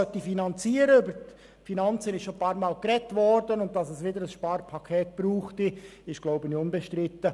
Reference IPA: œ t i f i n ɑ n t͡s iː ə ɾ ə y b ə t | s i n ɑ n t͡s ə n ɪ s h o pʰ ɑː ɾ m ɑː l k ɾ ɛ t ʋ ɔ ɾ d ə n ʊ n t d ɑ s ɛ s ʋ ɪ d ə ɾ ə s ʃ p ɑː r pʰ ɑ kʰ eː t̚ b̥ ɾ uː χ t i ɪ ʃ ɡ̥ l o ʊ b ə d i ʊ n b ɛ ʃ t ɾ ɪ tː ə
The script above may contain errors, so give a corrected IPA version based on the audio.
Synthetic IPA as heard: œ t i f i n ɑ n t͡s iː ə ɾ ə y b ə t | f i n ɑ n t͡s ə n ɪ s ʃ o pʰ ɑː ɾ m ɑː l k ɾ ɛ t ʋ ɔ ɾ d ə n ʊ n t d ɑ s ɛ s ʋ ɪ d ə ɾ ə s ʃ p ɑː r pʰ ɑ kʰ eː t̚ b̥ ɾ uː χ t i ɪ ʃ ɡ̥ l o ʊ b ə n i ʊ n b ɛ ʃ t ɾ ɪ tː ə